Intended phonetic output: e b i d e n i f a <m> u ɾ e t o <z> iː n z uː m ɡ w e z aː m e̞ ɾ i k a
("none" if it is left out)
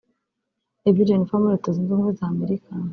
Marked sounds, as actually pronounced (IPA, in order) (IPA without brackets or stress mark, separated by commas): m, z